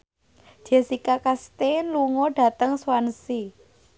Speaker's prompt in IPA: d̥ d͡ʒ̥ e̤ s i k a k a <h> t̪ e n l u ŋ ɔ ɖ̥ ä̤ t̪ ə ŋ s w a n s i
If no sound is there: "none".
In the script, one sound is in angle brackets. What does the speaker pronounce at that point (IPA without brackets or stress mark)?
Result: s